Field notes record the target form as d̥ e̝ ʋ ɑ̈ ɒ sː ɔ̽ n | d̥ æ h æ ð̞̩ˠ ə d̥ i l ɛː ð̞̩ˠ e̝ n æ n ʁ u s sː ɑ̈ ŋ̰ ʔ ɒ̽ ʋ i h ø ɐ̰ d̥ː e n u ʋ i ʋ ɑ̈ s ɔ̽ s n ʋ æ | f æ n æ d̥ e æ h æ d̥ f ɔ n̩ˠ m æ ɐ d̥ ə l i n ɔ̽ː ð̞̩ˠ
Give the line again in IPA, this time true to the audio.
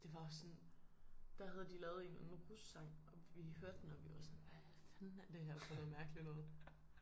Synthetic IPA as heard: d̥ e̝ ʋ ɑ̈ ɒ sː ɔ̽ n | d̥ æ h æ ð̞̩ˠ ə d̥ i l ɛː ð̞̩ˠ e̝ n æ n ʁ u s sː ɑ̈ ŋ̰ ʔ ɒ̽ ʋ i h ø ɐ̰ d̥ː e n ɒ ʋ i ʋ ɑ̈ s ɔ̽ n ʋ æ | f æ n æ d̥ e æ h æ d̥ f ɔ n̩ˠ m æ ɐ ɡ̥ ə l i n ɔ̽ː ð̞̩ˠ